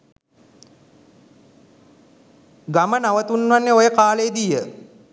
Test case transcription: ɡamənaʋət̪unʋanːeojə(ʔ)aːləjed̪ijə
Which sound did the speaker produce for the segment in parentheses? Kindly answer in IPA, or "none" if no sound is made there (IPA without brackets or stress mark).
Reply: k